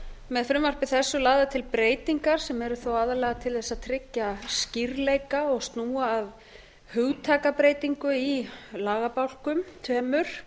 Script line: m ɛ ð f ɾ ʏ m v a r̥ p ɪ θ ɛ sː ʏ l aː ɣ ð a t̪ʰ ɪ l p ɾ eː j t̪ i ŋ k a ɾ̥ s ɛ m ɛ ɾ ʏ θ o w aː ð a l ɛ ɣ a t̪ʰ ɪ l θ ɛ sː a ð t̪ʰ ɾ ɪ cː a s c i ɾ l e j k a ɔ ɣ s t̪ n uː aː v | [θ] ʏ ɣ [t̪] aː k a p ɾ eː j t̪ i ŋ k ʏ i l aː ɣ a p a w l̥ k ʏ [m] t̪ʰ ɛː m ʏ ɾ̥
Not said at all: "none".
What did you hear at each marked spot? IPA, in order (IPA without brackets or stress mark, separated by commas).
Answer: h, t̪ʰ, m